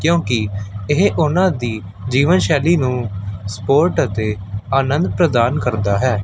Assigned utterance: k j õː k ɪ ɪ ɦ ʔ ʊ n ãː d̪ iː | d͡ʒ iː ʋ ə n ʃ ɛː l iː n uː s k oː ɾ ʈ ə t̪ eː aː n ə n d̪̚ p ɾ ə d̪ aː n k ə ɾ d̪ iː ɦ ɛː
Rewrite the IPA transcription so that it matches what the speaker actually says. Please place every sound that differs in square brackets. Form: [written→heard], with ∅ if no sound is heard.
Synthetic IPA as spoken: k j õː k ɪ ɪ ɦ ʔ ʊ n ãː d̪ iː | d͡ʒ iː ʋ ə n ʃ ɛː l iː n [uː→ũː] s [k→p] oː ɾ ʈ ə t̪ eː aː n ə n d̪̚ p ɾ ə d̪ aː n k ə ɾ d̪ [iː→aː] ɦ ɛː